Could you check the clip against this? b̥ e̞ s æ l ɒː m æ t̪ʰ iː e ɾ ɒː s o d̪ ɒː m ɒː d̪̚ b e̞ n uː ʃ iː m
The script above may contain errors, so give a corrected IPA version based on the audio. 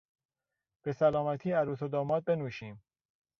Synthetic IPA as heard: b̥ e̞ s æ l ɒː m æ t̪ʰ iː æ ɾ uː s o d̪ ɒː m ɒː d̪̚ b e̞ n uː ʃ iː m